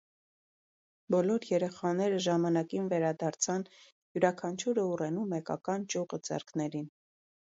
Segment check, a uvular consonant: present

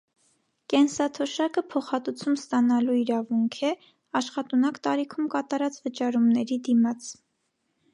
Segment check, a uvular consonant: present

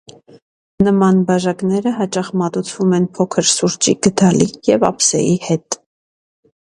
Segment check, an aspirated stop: present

